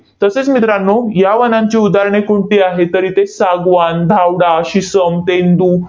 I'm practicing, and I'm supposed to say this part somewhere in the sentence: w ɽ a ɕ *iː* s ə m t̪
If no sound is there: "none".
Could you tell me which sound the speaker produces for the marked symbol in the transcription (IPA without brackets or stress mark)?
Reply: i